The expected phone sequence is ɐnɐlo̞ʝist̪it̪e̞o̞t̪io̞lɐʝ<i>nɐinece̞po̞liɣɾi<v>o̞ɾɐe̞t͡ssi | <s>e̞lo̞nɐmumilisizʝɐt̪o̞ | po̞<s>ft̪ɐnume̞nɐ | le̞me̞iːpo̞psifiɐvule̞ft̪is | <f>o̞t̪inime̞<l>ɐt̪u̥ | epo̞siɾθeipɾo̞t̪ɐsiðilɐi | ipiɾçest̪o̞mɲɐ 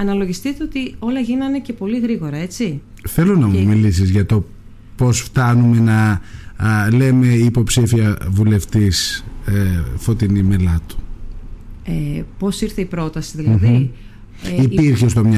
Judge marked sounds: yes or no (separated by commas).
yes, no, no, yes, yes, yes